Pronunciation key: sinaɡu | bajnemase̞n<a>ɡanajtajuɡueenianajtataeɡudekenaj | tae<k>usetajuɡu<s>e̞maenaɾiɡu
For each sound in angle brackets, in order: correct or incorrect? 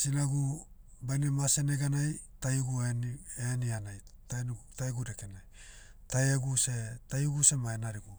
incorrect: e, incorrect: ɡ, correct

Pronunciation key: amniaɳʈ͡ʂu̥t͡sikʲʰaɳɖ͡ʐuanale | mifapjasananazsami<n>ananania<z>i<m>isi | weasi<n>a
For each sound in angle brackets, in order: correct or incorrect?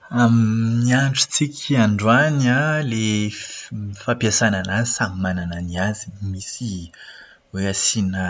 incorrect: m, correct, correct, correct

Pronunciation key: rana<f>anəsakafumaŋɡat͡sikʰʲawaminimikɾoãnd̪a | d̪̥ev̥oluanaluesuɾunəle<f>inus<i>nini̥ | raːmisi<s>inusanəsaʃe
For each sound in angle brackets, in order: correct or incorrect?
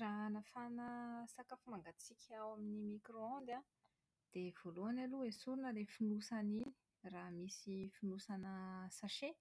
correct, correct, incorrect: a, incorrect: f

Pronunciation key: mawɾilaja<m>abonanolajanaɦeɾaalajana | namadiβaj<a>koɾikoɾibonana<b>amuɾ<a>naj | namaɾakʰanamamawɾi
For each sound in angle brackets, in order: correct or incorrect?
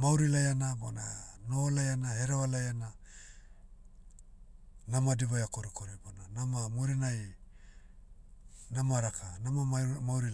incorrect: n, correct, incorrect: m, incorrect: i

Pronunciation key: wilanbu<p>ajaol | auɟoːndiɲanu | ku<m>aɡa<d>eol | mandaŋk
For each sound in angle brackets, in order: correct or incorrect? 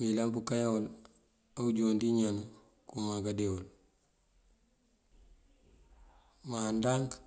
incorrect: k, correct, correct

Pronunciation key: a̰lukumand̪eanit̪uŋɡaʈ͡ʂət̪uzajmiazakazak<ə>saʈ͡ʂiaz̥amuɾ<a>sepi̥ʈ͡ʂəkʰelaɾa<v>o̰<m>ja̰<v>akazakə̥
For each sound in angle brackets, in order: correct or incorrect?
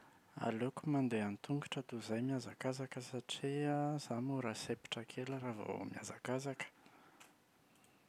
correct, correct, correct, correct, incorrect: z

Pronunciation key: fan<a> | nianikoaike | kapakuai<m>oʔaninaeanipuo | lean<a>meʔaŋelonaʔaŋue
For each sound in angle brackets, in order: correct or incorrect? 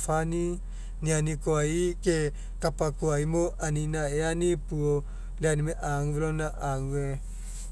incorrect: i, correct, incorrect: i

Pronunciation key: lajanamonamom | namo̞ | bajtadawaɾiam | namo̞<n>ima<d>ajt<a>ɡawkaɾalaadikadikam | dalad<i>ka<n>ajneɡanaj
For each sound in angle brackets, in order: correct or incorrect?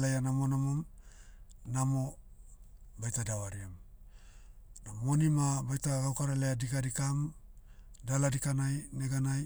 correct, incorrect: b, correct, correct, correct

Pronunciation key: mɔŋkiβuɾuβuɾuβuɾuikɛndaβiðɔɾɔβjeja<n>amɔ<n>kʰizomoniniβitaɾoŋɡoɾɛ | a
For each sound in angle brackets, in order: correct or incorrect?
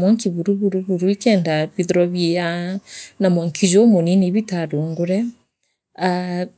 correct, incorrect: ŋ

